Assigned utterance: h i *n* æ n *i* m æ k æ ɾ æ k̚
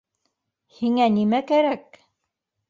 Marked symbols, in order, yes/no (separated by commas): no, yes